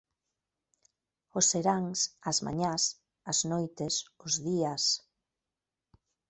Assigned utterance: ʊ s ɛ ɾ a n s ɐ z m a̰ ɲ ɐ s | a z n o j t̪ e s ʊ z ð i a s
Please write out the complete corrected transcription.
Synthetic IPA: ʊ s e ɾ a ŋ s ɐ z m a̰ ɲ a s | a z n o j t̪ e s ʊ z ð i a s